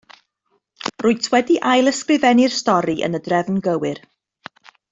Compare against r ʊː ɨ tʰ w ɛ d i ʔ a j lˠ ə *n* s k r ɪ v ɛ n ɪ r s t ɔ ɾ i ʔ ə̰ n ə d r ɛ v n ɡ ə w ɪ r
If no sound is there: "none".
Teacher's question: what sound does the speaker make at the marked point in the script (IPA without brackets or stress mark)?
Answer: none